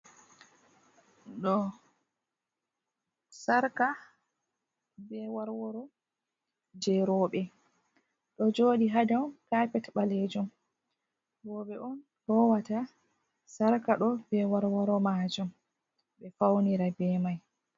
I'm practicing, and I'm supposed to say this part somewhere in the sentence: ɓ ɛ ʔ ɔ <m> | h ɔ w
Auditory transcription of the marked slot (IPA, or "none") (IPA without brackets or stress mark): n